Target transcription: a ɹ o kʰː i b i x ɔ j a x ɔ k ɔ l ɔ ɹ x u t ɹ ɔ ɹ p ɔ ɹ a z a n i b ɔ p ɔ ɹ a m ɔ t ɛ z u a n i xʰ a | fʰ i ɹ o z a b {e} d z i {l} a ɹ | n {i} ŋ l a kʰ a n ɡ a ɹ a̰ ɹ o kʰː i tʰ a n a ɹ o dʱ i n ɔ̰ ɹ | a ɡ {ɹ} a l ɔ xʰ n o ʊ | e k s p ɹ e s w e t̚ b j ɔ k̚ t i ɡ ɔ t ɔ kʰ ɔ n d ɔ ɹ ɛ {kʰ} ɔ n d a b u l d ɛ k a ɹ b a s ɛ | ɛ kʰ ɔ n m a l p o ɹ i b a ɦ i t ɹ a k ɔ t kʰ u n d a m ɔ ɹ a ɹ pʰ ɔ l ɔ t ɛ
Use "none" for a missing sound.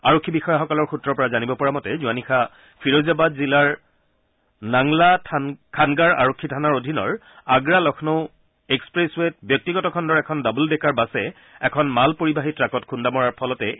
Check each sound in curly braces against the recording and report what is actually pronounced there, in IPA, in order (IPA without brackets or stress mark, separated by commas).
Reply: a, l, a, ɹ, kʰ